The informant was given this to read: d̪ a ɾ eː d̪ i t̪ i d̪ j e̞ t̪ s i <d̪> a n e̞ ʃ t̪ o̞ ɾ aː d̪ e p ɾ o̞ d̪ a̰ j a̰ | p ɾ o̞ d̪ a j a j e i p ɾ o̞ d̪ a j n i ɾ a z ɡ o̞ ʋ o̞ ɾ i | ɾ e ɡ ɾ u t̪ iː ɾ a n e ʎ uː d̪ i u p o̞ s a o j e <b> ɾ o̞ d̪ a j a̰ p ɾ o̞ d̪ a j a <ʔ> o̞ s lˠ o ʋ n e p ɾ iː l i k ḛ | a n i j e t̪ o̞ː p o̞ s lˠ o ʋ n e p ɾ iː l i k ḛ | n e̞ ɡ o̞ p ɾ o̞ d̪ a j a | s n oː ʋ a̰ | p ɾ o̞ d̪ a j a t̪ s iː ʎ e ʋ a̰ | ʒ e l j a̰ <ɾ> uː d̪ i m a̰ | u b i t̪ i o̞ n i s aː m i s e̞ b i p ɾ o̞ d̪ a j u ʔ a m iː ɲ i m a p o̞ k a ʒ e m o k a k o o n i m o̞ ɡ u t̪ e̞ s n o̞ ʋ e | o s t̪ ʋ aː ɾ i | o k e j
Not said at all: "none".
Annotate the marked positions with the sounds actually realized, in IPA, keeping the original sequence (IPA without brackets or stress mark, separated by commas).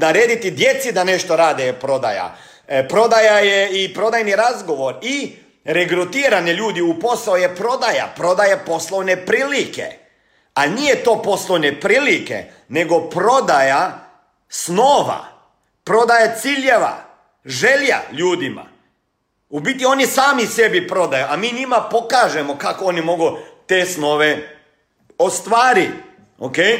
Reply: d̪, p, p, ʎ